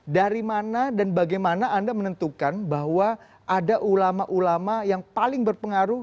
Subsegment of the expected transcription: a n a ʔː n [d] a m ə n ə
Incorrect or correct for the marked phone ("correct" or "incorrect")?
correct